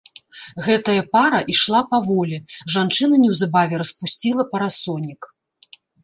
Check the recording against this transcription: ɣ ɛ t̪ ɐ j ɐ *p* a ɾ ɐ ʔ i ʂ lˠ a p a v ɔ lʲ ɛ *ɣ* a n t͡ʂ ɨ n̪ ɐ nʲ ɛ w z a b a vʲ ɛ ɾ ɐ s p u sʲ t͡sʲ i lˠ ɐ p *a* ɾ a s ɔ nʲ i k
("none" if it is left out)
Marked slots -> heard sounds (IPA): p, ʐ, ɐ

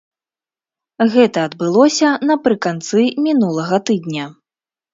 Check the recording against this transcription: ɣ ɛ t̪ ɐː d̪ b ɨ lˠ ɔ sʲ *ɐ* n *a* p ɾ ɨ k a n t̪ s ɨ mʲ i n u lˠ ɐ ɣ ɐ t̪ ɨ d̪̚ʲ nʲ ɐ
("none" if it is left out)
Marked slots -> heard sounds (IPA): ɐ, ɐ

